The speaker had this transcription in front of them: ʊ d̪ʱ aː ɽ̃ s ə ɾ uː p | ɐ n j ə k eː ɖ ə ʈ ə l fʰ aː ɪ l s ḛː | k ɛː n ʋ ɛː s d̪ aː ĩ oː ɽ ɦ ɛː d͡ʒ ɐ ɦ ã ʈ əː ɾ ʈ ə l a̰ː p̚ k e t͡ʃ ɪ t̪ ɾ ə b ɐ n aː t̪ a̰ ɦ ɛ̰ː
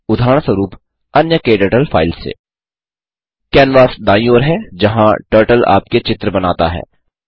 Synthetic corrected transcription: ʊ d̪ʱ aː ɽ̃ s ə ɾ uː p | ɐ n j ə k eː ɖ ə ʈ ə l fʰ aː ɪ l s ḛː | k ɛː n ʋ aː s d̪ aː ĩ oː ɾ ɦ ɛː d͡ʒ ɐ ɦ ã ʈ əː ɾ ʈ ə l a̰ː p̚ k e t͡ʃ ɪ t̪ ɾ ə b ɐ n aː t̪ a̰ ɦ ɛ̰ː